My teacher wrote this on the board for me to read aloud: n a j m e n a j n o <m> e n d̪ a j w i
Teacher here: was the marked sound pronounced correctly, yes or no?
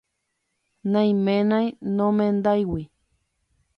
yes